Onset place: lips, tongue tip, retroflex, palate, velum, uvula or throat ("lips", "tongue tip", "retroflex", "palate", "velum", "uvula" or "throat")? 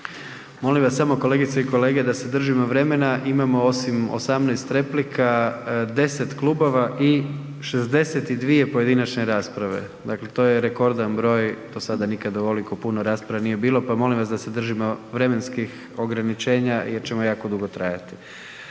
lips